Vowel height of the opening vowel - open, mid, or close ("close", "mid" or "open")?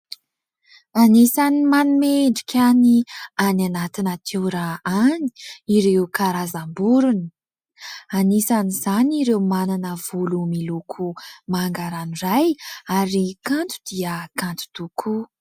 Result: open